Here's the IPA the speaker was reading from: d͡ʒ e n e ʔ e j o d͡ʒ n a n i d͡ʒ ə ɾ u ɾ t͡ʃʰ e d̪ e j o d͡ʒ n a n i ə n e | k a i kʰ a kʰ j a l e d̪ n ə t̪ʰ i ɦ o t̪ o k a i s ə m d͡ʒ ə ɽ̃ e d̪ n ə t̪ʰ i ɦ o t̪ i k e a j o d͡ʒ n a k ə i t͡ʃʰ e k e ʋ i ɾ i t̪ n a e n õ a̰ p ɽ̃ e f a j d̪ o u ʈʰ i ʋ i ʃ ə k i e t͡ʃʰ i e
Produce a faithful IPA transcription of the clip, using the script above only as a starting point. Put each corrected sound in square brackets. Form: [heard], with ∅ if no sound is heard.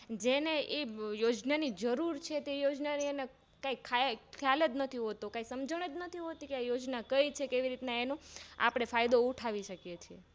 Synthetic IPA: d͡ʒ e n e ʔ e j o d͡ʒ n a n i d͡ʒ ə ɾ u ɾ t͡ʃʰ e [t̪] e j o d͡ʒ n a n i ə n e | k a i kʰ a kʰ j a l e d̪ n ə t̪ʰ i ɦ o t̪ o k a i s ə m d͡ʒ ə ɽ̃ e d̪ n ə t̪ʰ i ɦ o t̪ i k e a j o d͡ʒ n a k ə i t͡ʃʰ e k e ʋ i ɾ i t̪ n a e n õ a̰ p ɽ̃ e f a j d̪ o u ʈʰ [a] ʋ i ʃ ə k [j] e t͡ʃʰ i e